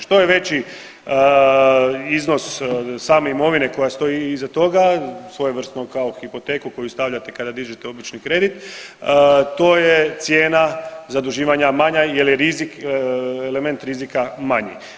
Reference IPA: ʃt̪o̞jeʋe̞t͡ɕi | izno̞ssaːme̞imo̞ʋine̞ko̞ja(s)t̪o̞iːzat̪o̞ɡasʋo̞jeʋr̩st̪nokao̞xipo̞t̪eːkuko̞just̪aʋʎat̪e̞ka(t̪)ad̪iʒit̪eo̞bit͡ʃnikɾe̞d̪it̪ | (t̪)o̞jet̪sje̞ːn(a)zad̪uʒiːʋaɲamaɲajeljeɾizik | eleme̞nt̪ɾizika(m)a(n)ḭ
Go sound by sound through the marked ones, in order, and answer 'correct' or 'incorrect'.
correct, incorrect, correct, correct, correct, incorrect

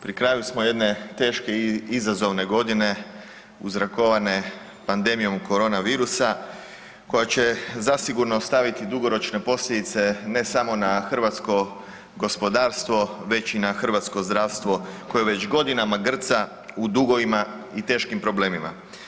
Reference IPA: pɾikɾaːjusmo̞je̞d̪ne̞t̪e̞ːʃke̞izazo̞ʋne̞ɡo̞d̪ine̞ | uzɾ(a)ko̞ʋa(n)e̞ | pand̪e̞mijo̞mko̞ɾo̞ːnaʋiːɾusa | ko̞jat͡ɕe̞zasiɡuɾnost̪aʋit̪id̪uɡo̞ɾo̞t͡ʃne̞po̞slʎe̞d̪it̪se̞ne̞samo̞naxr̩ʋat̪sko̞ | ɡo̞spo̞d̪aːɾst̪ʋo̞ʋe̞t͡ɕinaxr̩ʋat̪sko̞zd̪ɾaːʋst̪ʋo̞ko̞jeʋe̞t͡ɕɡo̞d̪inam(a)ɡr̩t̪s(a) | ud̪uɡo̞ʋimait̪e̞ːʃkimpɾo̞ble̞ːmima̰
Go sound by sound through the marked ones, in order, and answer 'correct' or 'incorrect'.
correct, correct, correct, correct

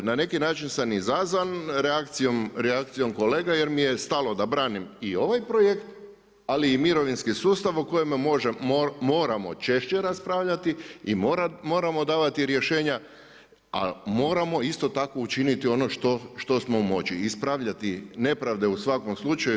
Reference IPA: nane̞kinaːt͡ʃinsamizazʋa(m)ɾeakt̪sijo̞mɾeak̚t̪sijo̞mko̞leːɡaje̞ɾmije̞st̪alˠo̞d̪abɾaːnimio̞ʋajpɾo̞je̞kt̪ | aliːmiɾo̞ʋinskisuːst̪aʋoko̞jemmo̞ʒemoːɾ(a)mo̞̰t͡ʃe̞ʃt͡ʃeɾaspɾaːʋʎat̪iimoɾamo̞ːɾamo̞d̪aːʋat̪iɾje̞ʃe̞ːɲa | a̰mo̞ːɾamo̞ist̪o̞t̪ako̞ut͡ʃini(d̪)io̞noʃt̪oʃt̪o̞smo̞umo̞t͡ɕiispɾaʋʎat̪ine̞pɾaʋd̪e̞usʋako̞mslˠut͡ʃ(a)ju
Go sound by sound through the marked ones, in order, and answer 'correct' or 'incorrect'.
incorrect, correct, incorrect, correct

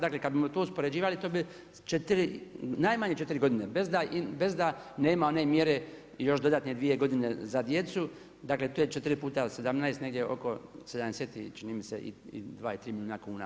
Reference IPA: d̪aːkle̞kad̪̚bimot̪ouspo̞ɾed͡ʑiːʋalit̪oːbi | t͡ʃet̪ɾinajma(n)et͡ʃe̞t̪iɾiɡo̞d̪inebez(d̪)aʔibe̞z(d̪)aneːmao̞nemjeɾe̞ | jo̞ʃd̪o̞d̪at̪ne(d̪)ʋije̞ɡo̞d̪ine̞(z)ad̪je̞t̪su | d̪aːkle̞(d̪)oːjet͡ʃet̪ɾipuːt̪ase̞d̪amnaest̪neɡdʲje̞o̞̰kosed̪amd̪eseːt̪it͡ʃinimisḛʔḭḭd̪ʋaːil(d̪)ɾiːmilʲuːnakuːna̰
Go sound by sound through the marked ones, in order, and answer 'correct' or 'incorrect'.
incorrect, correct, correct, correct, correct, incorrect, incorrect

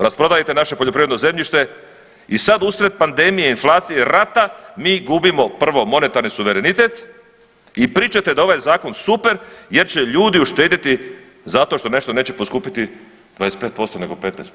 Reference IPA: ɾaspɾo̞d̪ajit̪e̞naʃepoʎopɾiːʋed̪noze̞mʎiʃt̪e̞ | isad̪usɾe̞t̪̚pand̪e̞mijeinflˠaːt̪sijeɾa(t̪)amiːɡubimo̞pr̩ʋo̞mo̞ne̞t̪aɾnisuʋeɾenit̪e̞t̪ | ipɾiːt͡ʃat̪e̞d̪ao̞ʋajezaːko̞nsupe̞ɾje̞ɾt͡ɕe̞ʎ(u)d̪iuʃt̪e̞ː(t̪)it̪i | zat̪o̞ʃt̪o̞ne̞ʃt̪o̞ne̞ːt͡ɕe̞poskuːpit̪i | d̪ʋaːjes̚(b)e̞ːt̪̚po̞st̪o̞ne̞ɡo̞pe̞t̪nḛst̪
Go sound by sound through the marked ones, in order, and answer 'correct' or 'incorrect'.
correct, incorrect, incorrect, incorrect

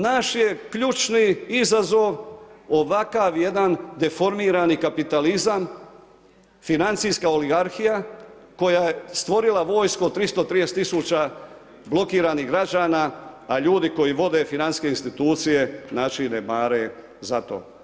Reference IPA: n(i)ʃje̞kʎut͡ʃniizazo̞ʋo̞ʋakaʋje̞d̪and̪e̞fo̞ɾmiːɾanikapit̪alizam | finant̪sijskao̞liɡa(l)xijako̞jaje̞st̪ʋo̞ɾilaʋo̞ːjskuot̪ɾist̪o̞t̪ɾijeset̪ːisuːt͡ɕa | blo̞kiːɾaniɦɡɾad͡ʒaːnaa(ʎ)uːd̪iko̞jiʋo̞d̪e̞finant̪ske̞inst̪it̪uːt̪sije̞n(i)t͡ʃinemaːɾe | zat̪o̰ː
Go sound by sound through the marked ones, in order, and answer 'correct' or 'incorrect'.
incorrect, incorrect, correct, incorrect

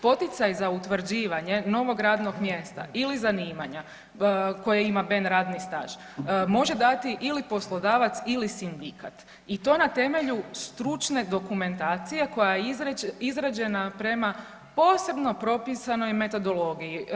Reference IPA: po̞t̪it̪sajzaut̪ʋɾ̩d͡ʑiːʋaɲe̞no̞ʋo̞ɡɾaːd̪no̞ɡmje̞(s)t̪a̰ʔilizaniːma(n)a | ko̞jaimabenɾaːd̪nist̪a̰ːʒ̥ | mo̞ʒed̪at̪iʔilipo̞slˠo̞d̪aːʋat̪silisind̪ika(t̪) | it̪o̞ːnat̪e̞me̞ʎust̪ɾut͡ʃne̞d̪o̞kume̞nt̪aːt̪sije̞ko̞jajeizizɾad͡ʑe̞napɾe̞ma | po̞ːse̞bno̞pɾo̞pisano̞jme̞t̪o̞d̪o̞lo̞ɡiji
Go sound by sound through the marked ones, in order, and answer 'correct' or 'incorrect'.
correct, incorrect, correct

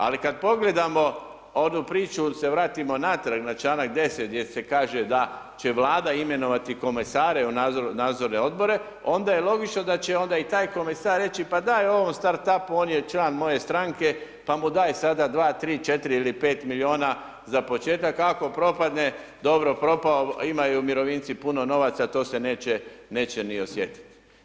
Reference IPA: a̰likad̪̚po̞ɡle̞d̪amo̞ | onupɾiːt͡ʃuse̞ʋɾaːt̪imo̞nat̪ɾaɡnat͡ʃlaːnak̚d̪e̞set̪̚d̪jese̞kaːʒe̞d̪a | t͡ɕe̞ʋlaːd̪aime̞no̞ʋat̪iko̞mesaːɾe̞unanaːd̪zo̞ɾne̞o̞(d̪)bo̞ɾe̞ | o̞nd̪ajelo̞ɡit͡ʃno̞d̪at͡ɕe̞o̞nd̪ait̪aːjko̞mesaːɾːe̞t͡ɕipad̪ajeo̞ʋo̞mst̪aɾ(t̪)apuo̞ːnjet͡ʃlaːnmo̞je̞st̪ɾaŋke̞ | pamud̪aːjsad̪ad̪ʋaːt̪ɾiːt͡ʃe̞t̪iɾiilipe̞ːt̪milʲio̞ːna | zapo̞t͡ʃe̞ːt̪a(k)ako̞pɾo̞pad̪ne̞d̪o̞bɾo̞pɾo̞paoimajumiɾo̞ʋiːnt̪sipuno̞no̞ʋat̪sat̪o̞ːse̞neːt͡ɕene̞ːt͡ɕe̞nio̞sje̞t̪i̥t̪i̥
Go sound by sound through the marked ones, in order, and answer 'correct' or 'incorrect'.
correct, correct, correct

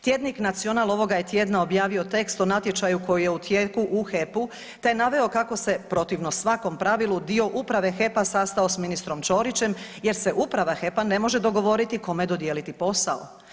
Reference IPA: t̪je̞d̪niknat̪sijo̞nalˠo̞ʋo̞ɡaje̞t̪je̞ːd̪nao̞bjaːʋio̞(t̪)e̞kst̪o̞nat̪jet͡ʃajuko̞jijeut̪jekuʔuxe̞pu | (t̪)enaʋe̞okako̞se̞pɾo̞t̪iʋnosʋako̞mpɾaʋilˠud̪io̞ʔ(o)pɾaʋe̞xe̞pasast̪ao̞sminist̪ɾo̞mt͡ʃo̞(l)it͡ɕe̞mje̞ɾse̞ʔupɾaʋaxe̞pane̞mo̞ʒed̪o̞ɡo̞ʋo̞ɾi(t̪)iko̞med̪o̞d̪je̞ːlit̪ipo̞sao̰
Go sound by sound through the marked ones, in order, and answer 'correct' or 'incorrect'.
correct, correct, incorrect, incorrect, correct

